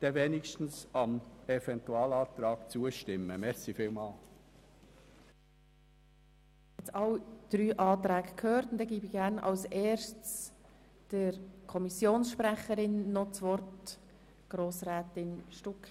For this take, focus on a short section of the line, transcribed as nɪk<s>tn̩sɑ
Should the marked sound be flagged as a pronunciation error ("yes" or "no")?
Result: yes